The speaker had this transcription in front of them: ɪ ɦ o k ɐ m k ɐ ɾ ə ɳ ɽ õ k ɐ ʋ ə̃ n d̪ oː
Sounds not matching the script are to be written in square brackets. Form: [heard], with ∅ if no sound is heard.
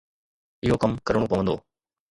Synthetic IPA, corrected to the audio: ɪ ɦ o k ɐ m k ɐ ɾ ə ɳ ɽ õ [p] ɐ ʋ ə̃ n d̪ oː